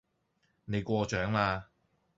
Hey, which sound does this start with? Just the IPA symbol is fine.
n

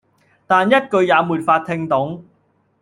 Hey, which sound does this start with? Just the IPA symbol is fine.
t̪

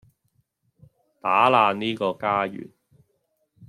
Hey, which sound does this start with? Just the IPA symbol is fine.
t̪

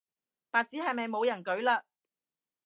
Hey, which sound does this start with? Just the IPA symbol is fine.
p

